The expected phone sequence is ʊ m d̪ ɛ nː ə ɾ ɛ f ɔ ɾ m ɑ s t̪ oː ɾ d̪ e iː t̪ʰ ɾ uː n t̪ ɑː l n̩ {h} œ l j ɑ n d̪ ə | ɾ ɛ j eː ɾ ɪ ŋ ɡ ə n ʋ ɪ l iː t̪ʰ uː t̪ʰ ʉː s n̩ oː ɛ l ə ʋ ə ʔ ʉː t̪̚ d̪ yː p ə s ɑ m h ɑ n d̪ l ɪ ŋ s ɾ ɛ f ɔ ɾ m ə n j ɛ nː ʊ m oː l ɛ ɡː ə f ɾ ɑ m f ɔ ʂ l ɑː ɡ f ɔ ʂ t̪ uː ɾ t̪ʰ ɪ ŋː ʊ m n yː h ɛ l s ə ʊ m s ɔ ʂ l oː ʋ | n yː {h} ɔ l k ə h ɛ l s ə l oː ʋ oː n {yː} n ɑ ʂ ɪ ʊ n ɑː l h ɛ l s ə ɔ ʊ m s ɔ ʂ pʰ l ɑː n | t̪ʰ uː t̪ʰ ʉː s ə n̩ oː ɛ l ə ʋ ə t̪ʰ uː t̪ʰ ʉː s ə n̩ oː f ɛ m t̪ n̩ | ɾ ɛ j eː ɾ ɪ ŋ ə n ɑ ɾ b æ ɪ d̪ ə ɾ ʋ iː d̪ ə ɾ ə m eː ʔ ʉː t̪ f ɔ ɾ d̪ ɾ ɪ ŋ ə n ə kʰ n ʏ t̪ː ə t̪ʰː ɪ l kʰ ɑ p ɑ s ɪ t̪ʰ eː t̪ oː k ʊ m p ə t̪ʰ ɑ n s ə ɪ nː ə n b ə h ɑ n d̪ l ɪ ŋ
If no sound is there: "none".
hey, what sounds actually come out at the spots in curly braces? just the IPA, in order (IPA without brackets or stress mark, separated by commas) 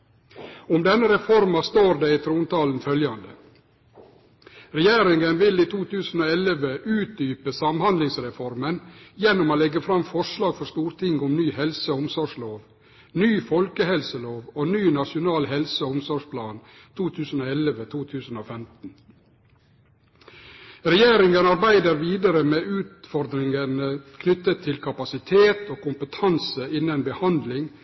f, f, yː